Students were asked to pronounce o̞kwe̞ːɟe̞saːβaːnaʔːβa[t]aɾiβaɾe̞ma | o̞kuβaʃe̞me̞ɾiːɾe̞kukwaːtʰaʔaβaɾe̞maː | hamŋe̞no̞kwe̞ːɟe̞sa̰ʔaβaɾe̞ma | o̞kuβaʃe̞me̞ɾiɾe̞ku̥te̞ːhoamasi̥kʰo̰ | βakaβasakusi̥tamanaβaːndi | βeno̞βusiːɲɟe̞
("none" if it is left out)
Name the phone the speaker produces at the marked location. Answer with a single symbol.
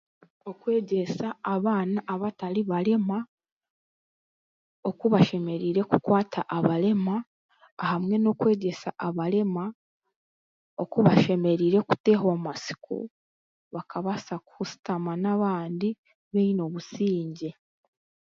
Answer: t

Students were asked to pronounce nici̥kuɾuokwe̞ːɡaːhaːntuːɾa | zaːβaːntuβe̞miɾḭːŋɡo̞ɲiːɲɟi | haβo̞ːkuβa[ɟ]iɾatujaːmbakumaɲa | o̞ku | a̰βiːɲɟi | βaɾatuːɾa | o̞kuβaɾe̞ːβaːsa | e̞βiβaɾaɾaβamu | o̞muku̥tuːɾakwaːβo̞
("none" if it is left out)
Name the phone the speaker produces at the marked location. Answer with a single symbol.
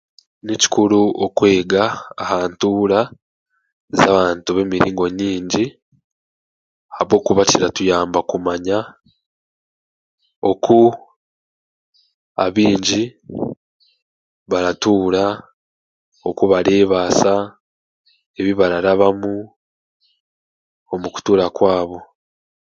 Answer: c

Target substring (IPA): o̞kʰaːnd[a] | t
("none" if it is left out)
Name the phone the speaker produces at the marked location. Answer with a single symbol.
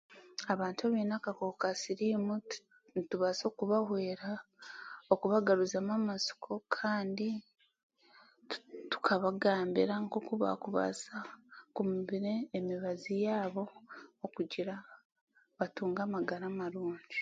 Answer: i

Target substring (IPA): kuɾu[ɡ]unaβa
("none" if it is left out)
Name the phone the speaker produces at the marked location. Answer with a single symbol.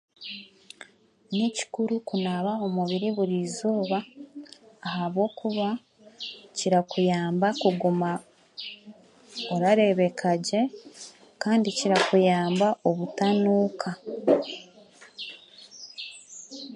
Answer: k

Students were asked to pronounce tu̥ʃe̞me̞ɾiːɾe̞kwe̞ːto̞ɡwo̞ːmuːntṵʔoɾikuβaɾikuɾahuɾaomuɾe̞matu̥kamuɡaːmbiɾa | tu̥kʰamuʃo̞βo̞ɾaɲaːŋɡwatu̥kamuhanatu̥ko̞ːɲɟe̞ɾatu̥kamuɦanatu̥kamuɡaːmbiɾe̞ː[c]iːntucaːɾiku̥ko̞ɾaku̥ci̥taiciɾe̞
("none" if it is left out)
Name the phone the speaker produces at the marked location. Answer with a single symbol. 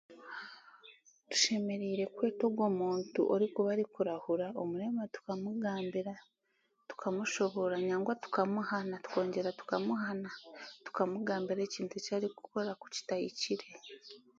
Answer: c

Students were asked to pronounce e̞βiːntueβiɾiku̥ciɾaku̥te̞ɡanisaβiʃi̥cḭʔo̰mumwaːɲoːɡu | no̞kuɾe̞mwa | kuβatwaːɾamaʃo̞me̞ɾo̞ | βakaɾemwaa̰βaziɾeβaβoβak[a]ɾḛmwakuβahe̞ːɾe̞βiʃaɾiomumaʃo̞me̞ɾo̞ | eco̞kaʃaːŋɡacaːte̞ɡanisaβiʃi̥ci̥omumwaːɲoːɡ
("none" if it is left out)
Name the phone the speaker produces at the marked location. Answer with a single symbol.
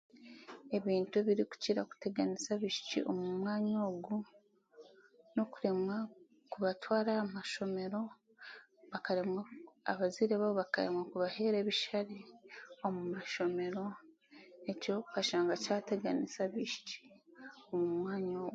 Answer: a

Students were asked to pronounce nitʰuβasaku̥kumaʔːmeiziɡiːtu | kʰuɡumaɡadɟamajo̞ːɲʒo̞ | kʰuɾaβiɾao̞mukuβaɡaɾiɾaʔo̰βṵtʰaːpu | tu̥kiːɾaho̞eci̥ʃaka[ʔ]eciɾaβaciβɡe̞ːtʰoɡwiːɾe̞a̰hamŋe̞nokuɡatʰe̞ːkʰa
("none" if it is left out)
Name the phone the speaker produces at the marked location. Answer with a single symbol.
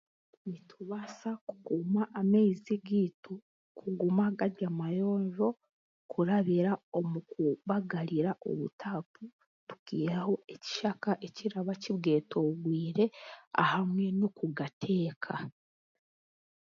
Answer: ʔ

